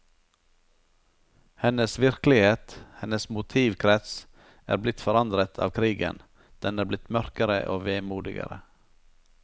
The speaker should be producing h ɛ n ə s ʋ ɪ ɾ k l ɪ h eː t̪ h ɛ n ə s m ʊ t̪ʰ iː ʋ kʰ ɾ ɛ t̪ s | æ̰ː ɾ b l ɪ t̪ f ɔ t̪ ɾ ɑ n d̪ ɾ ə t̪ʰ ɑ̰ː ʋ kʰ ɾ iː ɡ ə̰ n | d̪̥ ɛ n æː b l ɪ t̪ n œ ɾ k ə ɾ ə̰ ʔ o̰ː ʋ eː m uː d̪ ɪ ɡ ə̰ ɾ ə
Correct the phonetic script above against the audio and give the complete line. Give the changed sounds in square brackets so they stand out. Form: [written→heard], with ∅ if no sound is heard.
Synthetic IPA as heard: h ɛ n ə s ʋ ɪ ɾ k l ɪ h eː t̪ h ɛ n ə s m ʊ t̪ʰ iː ʋ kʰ ɾ ɛ t̪ s | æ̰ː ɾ b l ɪ t̪ f ɔ [t̪→∅] ɾ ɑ n d̪ ɾ ə t̪ʰ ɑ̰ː ʋ kʰ ɾ iː ɡ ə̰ n | d̪̥ ɛ n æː b l ɪ t̪ [n→m] œ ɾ k ə ɾ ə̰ ʔ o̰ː ʋ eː m uː d̪ ɪ ɡ ə̰ ɾ ə